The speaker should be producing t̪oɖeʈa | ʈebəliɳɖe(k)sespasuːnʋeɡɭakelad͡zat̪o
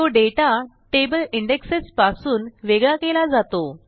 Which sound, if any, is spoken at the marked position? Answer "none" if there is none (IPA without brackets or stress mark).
k